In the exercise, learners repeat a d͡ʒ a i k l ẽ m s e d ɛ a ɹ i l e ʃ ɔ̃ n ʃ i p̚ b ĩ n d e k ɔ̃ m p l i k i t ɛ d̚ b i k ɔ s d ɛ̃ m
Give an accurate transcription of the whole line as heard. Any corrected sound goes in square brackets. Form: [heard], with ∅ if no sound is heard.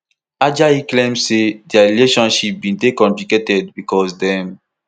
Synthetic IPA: a d͡ʒ a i k l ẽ m s e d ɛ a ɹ i l e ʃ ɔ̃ n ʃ i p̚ b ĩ n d e k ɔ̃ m p l i k [e] t ɛ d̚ b i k ɔ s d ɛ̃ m